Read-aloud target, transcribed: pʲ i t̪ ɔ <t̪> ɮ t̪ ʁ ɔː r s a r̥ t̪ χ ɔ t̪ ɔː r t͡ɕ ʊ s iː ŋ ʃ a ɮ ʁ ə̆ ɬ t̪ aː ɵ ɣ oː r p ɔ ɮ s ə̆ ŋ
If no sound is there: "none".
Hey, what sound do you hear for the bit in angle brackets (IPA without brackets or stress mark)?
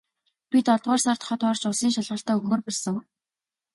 none